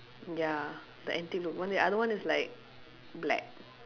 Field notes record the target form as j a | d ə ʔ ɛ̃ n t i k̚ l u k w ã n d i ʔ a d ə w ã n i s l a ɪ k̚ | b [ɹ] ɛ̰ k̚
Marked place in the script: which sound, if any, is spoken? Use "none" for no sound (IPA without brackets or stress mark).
l